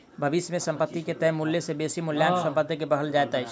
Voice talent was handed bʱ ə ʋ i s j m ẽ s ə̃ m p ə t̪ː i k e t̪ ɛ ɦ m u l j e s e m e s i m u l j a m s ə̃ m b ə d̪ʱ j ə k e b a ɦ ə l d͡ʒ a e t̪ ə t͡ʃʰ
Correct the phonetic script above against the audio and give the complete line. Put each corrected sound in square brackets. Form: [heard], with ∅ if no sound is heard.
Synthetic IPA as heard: bʱ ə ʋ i s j m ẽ s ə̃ m p ə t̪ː i k e t̪ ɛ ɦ m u l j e s e [b] e s i m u l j a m s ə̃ m [p] ə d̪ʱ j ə k e b [ə] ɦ ə l d͡ʒ a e t̪ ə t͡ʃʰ